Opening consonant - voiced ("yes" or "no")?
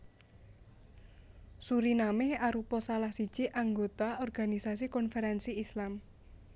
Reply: no